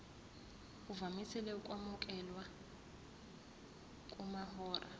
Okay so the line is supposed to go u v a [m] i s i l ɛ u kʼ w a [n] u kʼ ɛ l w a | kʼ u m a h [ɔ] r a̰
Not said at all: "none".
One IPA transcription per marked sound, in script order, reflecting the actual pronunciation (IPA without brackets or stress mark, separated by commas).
m, m, ɔː